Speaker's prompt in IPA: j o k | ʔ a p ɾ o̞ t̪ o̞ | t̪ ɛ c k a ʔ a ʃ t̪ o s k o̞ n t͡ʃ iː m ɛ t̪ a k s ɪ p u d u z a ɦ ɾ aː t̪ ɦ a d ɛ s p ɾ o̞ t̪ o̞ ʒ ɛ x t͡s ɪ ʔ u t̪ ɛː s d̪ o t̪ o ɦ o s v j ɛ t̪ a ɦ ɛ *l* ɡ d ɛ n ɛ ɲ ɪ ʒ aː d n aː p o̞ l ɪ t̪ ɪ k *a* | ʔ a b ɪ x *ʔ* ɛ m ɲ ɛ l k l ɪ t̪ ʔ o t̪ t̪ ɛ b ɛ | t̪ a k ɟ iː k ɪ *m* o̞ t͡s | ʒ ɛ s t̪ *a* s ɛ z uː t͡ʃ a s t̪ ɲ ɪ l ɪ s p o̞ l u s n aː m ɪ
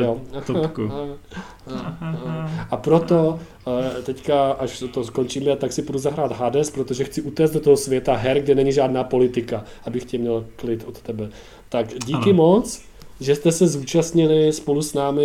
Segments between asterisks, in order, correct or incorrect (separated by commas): incorrect, correct, incorrect, correct, incorrect